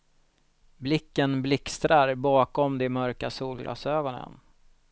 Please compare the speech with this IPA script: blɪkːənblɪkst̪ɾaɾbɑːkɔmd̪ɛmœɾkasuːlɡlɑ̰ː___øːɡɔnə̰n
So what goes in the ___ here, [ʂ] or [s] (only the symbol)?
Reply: s